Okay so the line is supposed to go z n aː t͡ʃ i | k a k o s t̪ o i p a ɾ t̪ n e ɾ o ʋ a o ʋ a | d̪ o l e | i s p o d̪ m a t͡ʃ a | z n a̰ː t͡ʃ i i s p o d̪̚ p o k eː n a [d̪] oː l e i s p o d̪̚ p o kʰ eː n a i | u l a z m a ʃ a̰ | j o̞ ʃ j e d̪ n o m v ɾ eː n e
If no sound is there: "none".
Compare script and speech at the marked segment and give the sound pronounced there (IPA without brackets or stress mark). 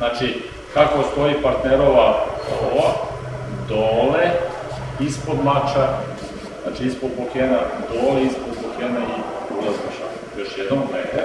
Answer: d̪